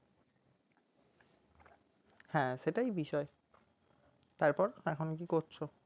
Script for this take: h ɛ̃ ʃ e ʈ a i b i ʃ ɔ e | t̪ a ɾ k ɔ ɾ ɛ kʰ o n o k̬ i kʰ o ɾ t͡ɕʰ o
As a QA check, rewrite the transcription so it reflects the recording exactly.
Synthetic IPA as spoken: h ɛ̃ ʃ e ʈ a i b i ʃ ɔ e | t̪ a ɾ p ɔ ɾ ɛ kʰ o n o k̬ i k o ɾ t͡ɕʰ o

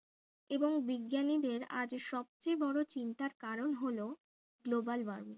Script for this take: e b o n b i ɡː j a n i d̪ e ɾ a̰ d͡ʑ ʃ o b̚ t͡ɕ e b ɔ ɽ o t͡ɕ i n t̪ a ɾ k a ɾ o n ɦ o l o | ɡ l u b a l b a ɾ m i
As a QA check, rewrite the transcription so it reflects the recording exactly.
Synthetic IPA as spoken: e b o ŋ b i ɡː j a n i d̪ e ɾ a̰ d͡ʑ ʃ ɔ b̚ t͡ɕ e b ɔ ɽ o t͡ɕ i n t̪ a ɾ k a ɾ o n ɦ o l o | ɡ l o b a l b a ɾ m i

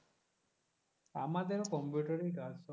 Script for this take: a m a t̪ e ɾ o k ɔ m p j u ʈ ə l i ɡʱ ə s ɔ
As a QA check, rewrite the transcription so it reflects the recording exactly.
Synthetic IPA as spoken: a m a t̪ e ɾ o k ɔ m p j u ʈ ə ɾ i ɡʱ a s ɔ

